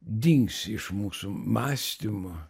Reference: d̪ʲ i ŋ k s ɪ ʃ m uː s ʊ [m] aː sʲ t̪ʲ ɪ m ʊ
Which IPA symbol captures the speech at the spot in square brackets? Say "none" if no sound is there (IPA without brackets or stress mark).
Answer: m